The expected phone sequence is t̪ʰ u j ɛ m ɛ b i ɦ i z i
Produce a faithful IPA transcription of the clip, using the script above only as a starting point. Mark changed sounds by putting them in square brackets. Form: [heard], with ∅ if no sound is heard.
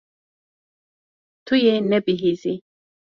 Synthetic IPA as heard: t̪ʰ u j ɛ [n] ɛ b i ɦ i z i